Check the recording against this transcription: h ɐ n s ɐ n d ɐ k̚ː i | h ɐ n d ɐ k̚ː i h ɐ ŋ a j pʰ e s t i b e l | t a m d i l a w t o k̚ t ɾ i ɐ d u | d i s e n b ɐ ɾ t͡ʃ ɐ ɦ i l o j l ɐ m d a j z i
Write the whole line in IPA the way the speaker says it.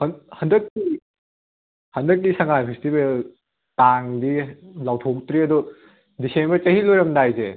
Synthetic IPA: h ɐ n h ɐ n d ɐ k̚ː i | h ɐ n d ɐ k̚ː i s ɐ ŋ a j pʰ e s t i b e l | t a ŋ d i l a w tʰ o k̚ t ɾ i ɐ d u | d i s e n b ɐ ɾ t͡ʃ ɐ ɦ i l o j ɾ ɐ m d a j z e